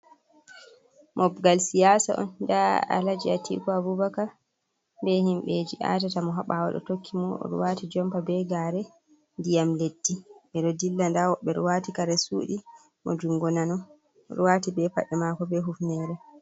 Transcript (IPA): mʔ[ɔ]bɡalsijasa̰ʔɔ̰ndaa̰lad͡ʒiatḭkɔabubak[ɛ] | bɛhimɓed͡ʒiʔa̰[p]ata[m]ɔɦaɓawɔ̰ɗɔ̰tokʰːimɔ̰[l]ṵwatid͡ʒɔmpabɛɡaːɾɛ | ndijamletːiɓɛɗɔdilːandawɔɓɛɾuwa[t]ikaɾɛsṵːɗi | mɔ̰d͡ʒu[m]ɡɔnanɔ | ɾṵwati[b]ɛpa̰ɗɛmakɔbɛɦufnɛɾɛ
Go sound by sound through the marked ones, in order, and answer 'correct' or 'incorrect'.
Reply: correct, incorrect, incorrect, correct, incorrect, correct, incorrect, correct

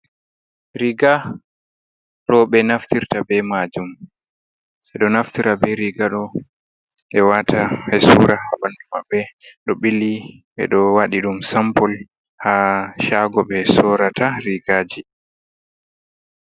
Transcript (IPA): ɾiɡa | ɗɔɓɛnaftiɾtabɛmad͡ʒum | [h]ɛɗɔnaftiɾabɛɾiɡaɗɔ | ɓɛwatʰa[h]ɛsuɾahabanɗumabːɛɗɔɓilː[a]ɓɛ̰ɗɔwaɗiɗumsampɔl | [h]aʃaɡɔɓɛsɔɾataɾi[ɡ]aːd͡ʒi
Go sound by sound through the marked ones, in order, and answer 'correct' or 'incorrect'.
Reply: incorrect, correct, incorrect, correct, correct

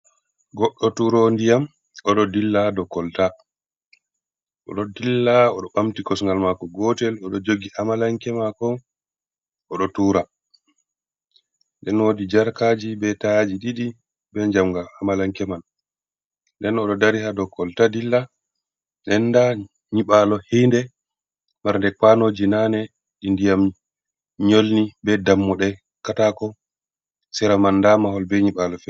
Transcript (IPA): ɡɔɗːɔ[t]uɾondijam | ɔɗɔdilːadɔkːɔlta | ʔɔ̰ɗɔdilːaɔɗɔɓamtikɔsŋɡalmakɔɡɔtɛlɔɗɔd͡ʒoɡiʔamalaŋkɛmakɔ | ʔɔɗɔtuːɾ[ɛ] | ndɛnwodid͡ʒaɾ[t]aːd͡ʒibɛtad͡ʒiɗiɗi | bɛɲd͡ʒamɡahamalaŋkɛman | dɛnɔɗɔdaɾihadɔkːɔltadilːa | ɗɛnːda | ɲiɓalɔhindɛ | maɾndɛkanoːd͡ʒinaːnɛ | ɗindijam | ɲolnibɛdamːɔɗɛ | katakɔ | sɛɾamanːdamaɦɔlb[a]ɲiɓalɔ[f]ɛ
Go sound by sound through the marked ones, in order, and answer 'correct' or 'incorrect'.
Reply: correct, incorrect, incorrect, incorrect, correct

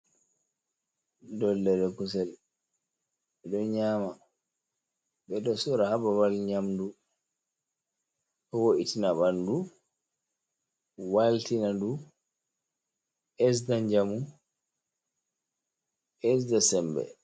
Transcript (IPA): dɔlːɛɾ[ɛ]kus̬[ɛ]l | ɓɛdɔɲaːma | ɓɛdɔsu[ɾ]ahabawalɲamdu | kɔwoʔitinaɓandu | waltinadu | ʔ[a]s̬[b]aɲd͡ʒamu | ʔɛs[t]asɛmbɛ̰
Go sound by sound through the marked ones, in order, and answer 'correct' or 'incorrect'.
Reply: correct, correct, correct, incorrect, incorrect, incorrect

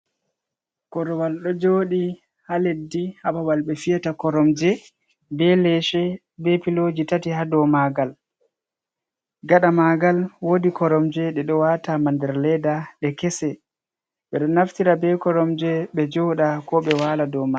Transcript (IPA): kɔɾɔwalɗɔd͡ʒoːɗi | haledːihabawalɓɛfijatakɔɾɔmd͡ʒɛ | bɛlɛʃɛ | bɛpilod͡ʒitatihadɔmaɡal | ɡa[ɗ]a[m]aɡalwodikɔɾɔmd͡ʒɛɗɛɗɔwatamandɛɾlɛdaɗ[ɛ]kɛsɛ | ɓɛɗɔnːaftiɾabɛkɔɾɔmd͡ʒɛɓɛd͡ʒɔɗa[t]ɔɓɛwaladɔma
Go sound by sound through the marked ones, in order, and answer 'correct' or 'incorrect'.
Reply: correct, correct, correct, incorrect

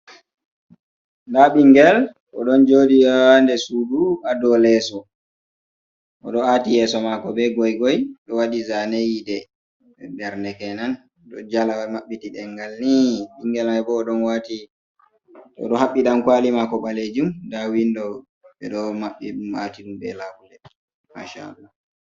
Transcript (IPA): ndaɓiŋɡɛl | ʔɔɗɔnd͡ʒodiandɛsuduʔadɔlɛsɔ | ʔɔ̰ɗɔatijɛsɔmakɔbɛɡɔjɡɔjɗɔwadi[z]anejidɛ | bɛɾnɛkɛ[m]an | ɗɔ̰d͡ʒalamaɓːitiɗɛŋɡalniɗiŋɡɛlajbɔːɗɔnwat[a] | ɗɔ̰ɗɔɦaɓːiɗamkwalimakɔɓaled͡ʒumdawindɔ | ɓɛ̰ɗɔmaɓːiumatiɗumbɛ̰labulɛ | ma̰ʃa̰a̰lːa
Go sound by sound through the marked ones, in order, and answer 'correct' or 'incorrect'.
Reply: correct, incorrect, incorrect

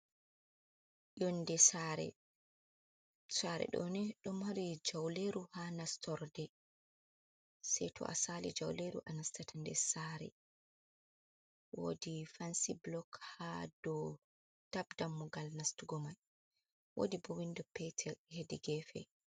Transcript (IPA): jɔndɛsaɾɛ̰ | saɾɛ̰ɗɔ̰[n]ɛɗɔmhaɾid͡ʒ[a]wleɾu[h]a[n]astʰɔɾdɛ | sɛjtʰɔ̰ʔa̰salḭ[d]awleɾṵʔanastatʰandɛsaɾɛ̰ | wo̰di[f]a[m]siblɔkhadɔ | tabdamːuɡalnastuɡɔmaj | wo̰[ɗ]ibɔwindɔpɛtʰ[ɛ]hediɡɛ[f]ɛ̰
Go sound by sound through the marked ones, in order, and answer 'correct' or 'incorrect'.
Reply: correct, correct, correct, correct, incorrect, correct, incorrect, incorrect, correct, correct

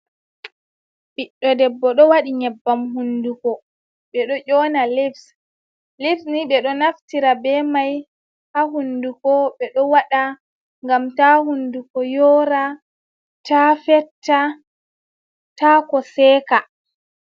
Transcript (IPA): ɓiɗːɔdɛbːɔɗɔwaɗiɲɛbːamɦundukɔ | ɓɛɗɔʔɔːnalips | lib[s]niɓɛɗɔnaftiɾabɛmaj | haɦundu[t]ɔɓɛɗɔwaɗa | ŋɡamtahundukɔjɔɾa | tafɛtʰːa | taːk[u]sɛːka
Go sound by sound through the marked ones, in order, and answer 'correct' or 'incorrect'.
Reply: correct, incorrect, incorrect

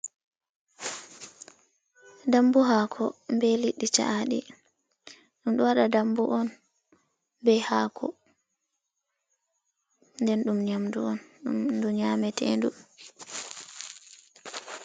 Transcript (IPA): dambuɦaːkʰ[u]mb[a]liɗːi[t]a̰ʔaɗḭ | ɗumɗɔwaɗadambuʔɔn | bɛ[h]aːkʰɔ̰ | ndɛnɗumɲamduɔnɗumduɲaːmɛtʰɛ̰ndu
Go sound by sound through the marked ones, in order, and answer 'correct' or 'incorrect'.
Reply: incorrect, incorrect, incorrect, correct

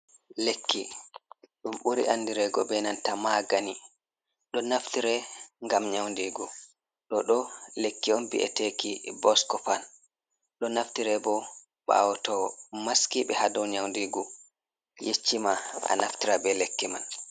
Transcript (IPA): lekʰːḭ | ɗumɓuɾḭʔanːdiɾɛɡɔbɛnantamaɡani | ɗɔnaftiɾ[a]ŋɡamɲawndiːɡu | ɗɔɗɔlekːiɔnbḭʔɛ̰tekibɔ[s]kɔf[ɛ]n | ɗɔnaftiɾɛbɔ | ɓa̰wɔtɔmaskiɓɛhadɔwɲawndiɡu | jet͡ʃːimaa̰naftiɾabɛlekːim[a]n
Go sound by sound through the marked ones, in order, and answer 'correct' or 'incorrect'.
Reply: incorrect, correct, incorrect, correct

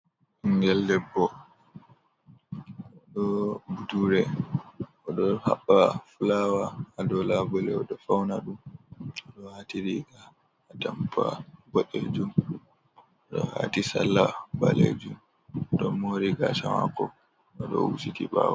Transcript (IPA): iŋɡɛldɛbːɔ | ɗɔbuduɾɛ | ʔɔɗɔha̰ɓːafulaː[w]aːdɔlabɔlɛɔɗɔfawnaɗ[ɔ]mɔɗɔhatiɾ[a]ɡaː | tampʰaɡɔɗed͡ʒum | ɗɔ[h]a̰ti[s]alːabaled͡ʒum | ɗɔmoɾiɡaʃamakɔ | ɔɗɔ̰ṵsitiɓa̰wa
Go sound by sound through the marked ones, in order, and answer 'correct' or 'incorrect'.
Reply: correct, incorrect, incorrect, correct, correct

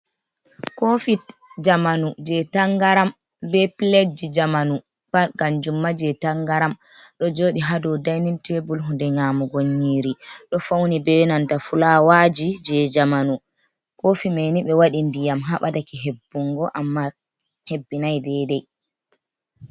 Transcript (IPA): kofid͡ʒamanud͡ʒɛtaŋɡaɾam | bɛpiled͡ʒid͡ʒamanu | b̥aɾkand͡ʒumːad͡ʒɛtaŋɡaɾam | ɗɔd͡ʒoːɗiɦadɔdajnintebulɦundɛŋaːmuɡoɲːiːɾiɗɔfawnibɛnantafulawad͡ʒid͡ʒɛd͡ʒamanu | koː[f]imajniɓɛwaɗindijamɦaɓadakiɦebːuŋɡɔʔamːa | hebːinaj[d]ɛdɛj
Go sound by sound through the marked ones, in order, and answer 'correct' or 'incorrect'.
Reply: correct, correct

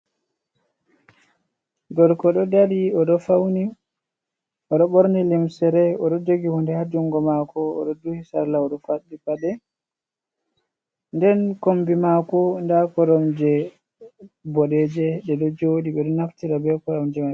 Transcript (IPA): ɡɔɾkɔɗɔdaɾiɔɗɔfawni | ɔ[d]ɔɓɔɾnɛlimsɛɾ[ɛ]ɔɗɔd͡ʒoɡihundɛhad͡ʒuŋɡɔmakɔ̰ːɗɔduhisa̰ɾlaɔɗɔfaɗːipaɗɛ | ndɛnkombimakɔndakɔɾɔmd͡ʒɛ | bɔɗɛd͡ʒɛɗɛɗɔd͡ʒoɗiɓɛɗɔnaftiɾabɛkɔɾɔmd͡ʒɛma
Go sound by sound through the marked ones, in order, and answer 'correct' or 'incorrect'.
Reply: incorrect, correct

